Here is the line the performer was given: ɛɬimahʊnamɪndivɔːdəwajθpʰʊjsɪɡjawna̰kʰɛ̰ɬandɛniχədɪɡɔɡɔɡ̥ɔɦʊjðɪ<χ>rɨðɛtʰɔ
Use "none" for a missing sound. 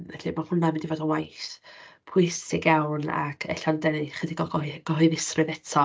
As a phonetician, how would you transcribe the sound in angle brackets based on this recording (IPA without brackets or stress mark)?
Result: s